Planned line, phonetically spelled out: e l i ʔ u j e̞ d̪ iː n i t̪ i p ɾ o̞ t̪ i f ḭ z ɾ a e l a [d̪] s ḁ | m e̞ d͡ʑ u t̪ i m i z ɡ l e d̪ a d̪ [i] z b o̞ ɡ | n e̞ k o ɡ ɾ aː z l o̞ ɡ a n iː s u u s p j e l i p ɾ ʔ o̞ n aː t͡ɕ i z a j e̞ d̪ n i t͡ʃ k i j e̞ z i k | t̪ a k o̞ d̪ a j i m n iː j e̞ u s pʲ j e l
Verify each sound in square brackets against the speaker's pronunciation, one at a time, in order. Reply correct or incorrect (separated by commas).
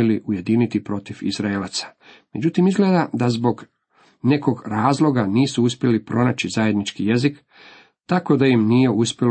incorrect, incorrect